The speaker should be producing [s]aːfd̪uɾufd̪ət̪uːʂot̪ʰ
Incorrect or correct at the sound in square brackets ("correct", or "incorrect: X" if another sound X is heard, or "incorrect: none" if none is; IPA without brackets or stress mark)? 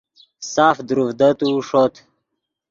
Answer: correct